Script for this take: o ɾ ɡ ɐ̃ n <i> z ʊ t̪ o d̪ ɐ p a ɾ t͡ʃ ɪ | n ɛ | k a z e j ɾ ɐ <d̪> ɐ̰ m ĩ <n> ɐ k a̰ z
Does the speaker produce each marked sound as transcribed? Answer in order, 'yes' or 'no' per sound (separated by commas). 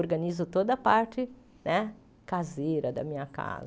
yes, yes, no